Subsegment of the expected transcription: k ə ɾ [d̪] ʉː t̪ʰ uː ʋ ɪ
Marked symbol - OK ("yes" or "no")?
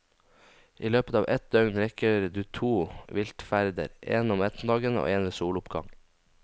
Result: yes